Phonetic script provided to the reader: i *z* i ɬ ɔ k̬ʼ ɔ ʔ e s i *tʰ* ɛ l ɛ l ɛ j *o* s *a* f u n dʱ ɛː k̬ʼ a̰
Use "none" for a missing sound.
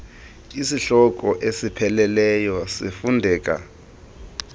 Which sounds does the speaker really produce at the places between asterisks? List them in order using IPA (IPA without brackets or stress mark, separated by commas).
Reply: s, pʰ, ɔ, i